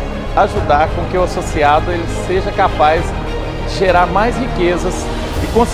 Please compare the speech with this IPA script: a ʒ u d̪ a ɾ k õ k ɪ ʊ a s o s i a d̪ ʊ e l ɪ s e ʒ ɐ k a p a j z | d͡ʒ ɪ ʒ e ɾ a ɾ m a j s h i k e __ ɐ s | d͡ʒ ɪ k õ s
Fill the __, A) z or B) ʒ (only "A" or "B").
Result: A